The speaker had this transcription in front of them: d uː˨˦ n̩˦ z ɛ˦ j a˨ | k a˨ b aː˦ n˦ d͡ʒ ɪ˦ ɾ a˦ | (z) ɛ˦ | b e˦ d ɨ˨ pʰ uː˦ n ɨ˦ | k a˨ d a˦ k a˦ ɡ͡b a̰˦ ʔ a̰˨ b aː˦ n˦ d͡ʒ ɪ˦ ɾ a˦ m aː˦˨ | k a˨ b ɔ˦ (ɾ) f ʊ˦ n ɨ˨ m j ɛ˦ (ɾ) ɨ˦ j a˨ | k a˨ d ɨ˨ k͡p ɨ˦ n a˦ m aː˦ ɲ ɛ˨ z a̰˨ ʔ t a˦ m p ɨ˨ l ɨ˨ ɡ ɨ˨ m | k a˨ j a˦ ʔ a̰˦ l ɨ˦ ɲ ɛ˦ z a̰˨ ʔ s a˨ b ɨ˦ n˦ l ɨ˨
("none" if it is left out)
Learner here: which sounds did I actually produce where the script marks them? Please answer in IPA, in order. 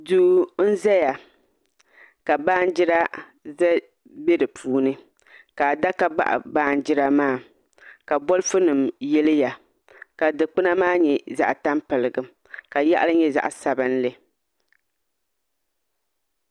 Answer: z, l, l

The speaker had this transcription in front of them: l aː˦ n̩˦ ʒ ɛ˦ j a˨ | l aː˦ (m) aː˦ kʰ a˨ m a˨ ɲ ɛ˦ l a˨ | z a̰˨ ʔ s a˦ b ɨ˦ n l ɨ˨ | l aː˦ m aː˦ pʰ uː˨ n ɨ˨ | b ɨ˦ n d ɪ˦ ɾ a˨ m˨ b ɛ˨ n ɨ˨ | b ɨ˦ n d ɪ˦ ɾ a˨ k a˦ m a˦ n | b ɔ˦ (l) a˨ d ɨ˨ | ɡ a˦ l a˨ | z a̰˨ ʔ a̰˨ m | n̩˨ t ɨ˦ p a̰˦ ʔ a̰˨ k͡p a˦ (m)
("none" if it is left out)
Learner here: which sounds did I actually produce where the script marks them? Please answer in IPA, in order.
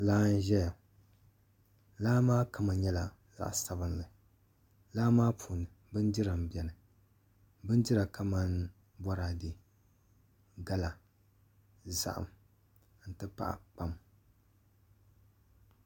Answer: m, ɾ, m

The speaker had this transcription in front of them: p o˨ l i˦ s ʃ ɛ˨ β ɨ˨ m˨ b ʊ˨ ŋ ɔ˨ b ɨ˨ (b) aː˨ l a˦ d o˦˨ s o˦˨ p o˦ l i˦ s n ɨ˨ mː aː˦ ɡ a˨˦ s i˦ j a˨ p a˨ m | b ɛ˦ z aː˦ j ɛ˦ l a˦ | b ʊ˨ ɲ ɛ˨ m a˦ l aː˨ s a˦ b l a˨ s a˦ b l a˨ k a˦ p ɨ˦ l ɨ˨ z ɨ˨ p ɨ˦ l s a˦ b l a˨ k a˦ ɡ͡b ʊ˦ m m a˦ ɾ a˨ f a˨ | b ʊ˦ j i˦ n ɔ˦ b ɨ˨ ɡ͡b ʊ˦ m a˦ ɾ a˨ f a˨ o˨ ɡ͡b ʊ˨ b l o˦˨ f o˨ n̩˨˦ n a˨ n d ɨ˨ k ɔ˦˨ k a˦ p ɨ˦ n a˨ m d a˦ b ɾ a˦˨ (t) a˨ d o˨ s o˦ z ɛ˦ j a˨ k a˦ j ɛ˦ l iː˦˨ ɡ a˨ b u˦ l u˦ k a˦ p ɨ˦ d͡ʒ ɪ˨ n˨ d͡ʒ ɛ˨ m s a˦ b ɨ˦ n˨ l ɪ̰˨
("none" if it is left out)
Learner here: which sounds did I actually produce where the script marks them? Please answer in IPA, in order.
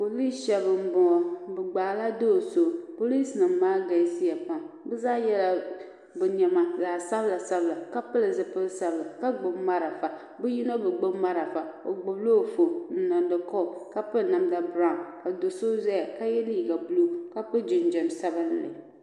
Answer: ɡ͡b, k

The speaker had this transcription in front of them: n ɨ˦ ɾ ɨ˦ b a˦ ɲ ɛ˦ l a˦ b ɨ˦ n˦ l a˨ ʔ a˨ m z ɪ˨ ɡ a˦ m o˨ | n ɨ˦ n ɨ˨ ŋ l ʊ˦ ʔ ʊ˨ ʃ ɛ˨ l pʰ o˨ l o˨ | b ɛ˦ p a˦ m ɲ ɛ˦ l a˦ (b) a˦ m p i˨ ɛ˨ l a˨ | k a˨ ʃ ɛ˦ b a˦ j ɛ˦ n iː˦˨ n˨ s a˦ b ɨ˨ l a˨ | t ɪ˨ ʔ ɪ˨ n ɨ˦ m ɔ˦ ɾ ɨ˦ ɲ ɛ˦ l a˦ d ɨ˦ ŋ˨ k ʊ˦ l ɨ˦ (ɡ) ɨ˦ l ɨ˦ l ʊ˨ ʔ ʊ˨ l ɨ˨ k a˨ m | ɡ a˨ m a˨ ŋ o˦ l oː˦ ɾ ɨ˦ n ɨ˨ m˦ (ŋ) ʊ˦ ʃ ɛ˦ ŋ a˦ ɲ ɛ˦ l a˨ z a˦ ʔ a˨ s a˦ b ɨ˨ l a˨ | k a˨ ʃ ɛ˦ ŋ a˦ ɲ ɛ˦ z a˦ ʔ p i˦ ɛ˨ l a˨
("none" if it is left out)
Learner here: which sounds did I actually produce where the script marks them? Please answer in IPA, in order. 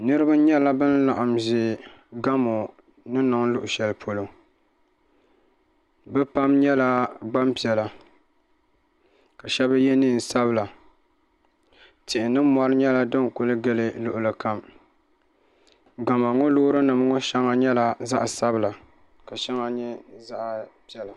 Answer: ɡ͡b, ɡ, ŋ

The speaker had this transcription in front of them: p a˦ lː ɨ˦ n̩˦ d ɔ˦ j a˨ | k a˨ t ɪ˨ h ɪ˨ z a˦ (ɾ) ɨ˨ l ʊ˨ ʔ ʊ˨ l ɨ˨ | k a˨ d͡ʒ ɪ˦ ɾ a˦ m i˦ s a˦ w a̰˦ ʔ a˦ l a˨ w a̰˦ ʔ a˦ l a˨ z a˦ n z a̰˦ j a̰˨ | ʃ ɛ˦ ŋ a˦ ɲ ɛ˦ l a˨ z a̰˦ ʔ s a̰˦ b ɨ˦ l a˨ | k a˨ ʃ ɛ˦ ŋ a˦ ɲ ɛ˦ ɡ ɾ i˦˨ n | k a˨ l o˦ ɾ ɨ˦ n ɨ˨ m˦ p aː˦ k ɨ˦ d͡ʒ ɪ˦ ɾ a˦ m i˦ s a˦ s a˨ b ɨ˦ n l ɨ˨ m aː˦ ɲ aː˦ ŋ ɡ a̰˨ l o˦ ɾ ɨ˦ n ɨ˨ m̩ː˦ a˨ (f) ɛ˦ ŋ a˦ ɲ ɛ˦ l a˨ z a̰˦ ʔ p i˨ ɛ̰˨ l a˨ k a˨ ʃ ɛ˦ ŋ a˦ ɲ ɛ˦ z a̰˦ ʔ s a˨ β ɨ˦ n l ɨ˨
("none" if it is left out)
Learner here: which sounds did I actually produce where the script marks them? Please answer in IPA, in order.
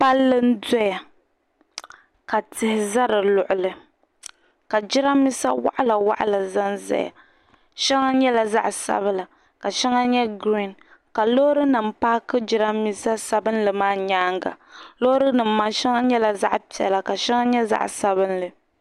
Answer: ɾ, ʃ

